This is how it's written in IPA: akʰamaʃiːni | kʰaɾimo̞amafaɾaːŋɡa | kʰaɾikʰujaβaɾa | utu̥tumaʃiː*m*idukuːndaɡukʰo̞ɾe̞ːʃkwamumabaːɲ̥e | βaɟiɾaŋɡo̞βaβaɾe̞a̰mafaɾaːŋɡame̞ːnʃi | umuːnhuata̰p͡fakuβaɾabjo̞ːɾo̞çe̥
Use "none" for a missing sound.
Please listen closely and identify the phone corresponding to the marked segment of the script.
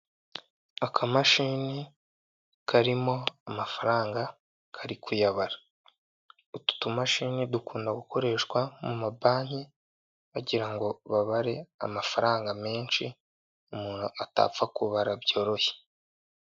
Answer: n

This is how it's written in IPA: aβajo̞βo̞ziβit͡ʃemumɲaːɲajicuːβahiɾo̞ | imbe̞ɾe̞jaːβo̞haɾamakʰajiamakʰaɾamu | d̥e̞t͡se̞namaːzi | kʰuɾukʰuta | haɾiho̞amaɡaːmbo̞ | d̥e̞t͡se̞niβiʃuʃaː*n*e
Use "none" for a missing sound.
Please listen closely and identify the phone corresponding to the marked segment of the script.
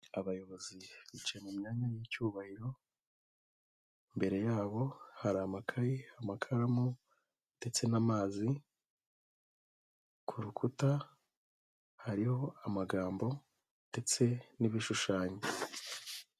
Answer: ɲ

